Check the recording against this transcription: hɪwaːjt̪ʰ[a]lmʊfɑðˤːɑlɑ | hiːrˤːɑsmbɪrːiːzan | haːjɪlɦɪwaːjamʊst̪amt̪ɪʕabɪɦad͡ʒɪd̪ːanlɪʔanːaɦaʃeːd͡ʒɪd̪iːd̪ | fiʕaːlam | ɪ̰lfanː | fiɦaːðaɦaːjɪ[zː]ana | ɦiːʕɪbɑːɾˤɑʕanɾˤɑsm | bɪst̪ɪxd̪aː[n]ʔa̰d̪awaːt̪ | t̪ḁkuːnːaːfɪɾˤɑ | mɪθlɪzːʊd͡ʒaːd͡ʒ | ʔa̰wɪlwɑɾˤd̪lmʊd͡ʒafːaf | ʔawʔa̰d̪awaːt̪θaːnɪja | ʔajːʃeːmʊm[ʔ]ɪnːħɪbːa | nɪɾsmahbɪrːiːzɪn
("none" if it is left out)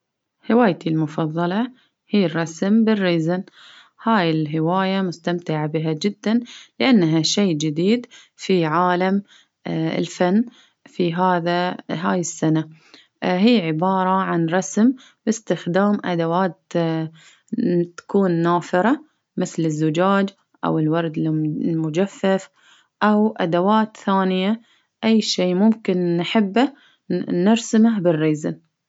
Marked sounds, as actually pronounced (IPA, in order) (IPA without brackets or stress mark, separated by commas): i, sː, m, k